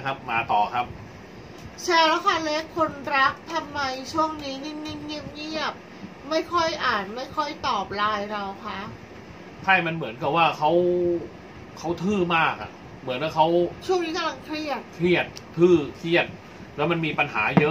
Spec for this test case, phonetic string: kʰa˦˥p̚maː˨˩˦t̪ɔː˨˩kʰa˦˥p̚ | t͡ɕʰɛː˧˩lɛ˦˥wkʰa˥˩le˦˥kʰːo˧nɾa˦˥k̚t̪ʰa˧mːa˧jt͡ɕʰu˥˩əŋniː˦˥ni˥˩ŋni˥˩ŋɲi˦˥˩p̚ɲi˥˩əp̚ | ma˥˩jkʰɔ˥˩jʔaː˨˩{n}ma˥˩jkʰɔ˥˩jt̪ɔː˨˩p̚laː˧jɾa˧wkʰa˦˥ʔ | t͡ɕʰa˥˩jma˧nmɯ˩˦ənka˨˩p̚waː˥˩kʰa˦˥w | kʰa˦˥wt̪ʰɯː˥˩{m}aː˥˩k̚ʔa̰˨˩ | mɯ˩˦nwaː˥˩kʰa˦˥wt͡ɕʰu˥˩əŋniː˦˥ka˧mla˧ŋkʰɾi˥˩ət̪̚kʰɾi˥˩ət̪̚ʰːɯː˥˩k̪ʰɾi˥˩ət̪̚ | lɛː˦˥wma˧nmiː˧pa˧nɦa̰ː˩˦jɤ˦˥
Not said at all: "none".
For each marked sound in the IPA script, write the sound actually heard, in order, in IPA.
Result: n, m

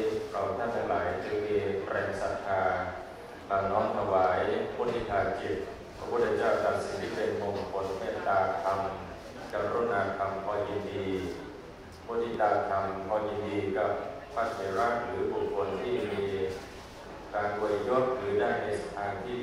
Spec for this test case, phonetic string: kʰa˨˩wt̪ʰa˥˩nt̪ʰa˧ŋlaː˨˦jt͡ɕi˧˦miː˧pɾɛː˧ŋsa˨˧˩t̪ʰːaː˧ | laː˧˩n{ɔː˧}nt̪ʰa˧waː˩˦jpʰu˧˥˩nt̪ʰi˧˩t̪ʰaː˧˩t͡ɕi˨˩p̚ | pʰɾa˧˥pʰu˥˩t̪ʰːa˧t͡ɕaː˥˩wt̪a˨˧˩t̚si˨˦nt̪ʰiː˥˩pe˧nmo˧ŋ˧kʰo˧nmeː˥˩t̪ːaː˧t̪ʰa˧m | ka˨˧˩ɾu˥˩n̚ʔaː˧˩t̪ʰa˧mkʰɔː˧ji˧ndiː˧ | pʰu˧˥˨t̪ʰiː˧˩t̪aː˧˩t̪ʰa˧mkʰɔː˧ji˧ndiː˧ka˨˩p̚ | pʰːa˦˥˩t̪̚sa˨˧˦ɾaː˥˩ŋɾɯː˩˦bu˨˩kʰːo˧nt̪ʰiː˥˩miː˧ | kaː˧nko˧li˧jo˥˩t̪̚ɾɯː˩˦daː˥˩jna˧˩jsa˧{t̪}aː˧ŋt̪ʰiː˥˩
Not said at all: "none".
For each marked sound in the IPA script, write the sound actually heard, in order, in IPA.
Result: ɔː˦˥, t̪ʰ

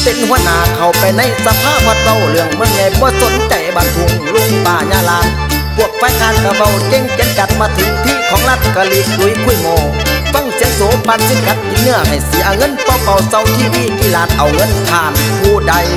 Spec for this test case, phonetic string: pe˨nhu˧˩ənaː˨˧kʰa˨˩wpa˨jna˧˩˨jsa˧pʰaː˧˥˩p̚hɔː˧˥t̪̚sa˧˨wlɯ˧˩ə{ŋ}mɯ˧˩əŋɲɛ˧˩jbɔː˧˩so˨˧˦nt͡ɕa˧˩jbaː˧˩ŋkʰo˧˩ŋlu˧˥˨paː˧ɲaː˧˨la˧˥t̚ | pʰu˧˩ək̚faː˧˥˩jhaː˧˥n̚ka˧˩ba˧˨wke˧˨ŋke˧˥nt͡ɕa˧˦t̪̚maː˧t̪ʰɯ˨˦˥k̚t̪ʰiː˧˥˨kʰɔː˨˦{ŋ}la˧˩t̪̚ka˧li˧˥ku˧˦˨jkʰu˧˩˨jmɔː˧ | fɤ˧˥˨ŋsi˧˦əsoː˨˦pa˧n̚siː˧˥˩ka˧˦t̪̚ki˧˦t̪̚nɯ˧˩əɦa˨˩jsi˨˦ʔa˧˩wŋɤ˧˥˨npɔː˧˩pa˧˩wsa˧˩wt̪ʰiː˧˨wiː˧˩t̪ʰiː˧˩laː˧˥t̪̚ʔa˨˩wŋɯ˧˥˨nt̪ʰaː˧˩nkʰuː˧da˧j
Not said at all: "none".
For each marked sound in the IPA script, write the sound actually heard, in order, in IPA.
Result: ŋ, ŋ

